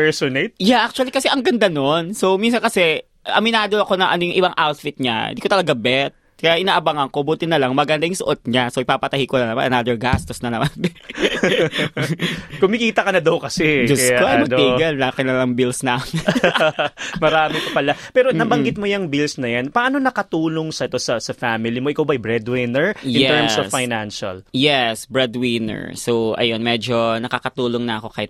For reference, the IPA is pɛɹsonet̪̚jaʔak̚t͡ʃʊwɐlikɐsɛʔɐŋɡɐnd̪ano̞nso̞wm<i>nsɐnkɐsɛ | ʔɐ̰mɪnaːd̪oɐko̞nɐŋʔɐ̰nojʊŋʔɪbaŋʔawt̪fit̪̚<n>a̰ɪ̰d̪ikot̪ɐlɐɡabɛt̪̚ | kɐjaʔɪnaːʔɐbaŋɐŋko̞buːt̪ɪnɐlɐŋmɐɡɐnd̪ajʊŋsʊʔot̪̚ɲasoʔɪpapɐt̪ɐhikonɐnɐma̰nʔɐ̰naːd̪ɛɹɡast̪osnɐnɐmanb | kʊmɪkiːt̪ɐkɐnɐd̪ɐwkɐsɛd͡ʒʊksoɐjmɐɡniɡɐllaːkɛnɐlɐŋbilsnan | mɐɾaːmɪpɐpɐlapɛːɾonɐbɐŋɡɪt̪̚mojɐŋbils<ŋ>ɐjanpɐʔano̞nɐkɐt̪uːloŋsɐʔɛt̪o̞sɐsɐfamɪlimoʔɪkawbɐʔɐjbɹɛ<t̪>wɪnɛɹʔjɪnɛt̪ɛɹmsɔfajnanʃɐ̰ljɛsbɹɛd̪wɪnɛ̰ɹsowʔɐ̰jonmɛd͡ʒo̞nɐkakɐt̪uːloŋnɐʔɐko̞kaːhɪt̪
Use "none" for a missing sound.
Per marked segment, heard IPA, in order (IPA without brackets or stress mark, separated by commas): i, ɲ, n, d̪